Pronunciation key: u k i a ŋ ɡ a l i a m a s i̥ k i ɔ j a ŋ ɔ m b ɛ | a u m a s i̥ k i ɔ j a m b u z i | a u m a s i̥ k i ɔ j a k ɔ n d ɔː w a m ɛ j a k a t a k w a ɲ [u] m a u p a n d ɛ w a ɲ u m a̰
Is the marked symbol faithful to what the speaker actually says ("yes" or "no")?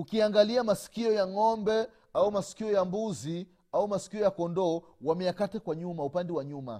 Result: yes